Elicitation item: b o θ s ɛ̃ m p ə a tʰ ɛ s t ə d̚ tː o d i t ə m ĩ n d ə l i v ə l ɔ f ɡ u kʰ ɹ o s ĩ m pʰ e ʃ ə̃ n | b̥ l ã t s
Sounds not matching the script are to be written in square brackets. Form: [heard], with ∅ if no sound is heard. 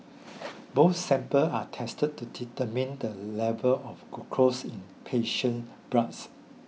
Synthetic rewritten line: b o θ s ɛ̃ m p ə a tʰ ɛ s t ə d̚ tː [u] d i t ə m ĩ n d ə l [ɛ] v ə l ɔ f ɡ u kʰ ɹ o s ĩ [n] pʰ e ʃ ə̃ n | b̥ [ɹ] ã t s